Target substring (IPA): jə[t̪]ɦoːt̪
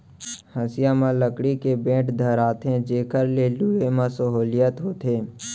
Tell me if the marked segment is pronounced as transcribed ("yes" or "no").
yes